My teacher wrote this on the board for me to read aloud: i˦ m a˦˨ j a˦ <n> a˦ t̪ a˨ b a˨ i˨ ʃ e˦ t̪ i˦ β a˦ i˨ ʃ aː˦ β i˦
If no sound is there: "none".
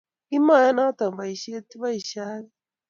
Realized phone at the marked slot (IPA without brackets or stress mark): n